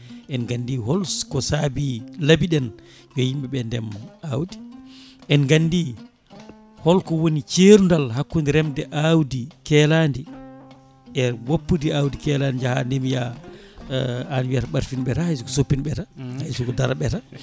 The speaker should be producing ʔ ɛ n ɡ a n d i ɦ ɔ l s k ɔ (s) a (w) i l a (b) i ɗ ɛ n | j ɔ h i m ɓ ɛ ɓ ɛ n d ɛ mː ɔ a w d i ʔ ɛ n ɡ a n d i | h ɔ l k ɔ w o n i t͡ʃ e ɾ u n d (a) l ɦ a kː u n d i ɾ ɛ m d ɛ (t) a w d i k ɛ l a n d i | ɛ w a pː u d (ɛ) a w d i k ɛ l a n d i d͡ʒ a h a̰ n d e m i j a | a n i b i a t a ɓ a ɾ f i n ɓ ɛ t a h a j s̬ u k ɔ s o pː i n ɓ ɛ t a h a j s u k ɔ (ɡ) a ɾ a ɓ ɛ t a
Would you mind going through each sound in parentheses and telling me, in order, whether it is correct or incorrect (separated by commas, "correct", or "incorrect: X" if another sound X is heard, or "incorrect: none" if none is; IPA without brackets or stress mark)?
correct, incorrect: b, correct, correct, incorrect: ʔ, incorrect: i, incorrect: d